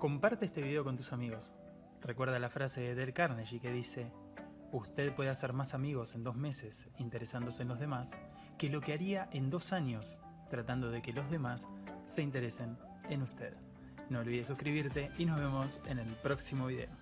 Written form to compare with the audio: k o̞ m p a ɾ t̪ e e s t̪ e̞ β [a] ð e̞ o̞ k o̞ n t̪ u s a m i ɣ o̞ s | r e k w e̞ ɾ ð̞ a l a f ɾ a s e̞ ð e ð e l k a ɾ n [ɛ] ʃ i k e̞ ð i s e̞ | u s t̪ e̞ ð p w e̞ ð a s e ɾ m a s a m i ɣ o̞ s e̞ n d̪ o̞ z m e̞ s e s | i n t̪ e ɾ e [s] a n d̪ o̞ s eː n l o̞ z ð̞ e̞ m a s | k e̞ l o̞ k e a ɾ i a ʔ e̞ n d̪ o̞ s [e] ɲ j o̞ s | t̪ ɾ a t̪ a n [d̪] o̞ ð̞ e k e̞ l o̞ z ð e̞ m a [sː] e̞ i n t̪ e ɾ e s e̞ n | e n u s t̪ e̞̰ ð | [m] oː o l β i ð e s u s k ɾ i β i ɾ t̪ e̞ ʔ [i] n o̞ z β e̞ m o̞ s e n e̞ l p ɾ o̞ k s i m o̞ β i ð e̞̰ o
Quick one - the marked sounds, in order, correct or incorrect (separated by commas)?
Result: incorrect, incorrect, correct, incorrect, correct, correct, incorrect, correct